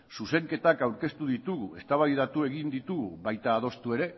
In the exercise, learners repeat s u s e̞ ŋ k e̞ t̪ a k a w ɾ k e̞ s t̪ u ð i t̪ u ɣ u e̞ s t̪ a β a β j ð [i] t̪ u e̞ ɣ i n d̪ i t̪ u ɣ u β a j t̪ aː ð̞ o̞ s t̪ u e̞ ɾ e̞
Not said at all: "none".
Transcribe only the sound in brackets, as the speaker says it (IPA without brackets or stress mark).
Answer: a